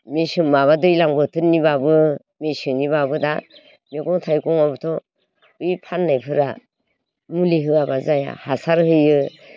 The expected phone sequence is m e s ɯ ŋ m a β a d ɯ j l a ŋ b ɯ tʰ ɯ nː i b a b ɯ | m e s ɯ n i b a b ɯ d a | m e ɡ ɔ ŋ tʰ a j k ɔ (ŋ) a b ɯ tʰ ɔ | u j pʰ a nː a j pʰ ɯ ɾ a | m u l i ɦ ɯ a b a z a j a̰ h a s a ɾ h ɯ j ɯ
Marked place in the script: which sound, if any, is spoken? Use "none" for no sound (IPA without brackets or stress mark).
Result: ŋ